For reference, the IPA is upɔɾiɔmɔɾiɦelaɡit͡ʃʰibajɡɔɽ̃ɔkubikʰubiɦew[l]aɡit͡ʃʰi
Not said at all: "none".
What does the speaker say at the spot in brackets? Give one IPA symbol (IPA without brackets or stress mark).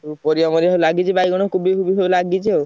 l